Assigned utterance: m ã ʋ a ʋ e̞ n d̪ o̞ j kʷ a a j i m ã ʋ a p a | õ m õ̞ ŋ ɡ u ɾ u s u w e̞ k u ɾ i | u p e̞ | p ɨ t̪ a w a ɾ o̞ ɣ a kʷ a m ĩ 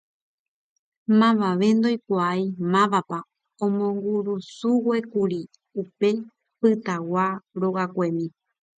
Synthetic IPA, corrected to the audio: m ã ʋ a ʋ e̞ n d̪ o̞ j kʷ a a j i m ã ʋ a p a | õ m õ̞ ŋ ɡ u ɾ u s u w e̞ k u ɾ i | u p e̞ | p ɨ t̪ a w a ɾ o̞ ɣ a kʷ e m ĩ